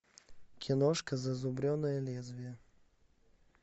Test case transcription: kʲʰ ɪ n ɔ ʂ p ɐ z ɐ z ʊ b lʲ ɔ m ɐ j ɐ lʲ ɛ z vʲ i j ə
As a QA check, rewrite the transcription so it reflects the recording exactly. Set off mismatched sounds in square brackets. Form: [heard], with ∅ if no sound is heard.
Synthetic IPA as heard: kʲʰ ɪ n ɔ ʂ [k] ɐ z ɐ z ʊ b [ɾʲ] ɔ [n] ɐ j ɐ lʲ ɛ z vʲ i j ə